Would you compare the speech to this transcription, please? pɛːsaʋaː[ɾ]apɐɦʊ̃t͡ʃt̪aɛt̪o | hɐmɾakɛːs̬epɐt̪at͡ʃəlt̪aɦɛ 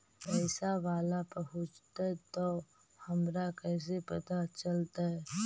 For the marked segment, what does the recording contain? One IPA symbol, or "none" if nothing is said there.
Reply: l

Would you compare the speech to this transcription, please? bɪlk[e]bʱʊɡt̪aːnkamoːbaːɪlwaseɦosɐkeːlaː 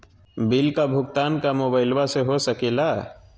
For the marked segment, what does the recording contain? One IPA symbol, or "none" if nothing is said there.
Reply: a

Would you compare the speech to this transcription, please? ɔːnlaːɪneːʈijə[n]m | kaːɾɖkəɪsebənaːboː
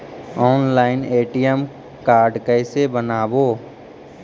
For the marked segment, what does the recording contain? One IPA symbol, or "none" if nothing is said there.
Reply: none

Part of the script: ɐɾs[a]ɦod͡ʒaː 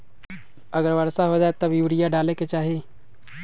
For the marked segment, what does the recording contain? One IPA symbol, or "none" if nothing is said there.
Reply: a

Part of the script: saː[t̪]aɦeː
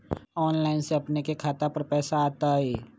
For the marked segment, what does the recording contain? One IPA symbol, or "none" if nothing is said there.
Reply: t̪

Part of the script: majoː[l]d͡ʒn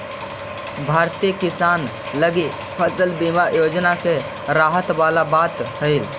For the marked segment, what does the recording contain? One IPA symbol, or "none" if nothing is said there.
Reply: none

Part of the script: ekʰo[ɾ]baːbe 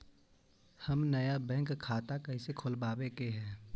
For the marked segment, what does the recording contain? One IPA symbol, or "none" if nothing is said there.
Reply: l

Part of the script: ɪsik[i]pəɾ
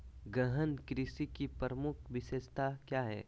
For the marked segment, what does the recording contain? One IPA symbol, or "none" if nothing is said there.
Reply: i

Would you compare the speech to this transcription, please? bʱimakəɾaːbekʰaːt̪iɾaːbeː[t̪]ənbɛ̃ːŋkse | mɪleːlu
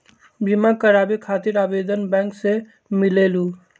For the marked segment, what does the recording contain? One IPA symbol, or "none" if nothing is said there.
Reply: d̪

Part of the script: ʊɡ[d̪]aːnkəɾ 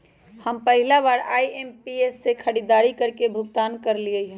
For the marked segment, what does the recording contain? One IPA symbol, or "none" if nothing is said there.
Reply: t̪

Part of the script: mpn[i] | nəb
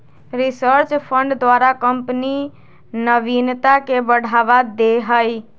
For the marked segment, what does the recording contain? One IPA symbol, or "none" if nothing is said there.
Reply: i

